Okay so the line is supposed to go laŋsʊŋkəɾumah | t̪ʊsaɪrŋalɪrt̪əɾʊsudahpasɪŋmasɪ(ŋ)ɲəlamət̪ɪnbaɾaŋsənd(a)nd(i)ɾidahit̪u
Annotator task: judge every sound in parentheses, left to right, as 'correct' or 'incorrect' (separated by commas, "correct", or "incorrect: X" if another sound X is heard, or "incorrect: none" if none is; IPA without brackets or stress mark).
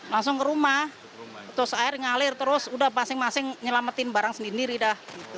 correct, incorrect: i, correct